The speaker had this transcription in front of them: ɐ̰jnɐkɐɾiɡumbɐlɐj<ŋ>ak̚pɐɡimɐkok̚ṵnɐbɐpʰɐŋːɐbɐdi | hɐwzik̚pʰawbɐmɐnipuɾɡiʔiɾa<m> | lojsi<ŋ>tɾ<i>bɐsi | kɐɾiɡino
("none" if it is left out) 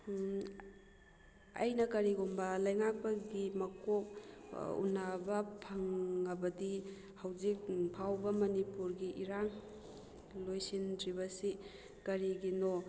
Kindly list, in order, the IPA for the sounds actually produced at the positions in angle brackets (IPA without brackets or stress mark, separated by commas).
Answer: ŋ, ŋ, n, i